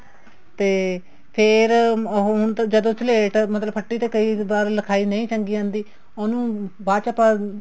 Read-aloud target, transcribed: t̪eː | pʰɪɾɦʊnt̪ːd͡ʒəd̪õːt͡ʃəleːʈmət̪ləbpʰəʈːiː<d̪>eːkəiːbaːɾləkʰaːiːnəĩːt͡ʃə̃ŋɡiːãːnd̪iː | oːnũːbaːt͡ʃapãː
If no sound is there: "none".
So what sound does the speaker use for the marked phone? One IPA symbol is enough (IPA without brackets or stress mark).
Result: t̪